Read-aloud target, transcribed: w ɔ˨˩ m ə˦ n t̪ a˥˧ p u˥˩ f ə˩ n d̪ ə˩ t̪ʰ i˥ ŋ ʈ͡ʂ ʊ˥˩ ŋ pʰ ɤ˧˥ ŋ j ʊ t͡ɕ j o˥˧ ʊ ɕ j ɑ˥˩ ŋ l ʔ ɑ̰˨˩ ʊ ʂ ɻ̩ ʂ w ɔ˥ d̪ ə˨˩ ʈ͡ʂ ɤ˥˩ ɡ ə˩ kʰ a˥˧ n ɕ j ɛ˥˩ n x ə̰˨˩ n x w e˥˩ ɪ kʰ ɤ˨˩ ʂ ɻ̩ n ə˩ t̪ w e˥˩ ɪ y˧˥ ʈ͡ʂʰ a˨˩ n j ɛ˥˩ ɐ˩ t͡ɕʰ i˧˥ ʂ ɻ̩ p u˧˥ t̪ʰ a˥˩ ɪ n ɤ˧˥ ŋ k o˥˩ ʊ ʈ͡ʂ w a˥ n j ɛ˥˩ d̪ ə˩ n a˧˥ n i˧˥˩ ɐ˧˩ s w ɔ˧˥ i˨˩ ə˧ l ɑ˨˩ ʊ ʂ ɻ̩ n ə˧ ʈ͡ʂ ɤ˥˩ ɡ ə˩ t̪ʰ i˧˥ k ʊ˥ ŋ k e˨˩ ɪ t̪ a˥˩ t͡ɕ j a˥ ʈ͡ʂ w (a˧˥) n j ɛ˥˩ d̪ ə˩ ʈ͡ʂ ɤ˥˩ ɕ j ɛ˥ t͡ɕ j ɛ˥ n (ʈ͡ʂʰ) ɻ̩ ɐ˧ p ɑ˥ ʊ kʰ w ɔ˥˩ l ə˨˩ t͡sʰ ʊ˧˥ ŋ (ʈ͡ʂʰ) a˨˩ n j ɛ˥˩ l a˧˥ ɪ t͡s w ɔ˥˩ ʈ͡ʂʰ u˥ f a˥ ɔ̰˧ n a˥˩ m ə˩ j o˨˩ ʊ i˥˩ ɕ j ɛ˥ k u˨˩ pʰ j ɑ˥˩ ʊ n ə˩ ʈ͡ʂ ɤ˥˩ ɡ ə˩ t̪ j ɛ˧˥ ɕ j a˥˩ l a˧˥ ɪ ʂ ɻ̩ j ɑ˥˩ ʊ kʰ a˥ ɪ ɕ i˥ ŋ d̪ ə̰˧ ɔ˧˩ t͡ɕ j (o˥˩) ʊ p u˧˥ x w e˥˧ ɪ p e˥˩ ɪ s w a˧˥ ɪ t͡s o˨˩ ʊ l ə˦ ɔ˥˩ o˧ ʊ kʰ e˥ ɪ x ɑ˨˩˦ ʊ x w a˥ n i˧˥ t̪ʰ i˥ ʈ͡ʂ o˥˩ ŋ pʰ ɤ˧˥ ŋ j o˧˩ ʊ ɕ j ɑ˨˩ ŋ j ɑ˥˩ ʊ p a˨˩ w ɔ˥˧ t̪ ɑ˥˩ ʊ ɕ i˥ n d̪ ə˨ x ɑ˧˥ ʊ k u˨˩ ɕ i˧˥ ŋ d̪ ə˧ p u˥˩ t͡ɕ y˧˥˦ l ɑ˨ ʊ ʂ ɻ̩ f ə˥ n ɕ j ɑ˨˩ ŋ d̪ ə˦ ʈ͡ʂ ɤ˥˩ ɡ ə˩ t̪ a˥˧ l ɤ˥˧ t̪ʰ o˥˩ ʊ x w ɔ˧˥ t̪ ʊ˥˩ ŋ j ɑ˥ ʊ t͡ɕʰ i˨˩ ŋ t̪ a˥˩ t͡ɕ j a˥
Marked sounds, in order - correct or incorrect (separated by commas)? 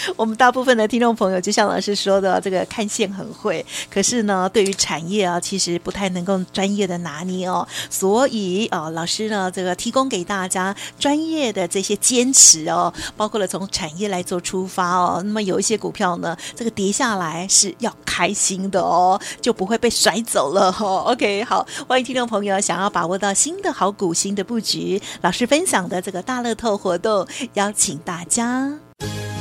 incorrect, correct, correct, correct